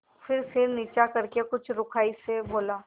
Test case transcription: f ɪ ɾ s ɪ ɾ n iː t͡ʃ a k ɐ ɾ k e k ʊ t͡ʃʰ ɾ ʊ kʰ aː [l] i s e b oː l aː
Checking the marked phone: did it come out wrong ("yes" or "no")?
yes